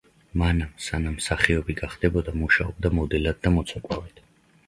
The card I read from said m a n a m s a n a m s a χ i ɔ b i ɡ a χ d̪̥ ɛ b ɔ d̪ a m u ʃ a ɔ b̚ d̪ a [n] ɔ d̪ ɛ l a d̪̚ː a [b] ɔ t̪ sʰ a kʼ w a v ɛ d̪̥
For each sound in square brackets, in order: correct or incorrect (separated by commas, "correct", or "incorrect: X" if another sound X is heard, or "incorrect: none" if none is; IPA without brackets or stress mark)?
incorrect: m, incorrect: m